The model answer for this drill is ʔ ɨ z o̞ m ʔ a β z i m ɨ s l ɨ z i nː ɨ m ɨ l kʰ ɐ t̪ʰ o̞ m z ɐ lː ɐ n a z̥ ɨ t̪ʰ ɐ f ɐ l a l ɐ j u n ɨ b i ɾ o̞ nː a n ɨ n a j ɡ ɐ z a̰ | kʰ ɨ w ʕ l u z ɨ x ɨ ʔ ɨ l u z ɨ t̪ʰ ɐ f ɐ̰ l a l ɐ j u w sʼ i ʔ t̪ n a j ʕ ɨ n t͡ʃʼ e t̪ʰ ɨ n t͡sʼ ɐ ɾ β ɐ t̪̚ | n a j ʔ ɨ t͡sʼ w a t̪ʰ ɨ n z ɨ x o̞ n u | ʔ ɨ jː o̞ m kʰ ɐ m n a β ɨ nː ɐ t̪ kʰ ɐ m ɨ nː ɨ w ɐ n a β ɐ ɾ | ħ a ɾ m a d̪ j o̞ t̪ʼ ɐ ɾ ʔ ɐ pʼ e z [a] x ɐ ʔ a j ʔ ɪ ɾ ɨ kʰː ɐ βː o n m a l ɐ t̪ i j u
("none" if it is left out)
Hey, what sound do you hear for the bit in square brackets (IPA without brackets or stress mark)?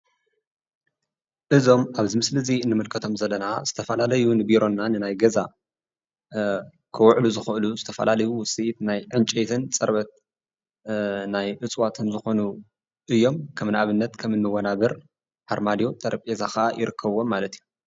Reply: a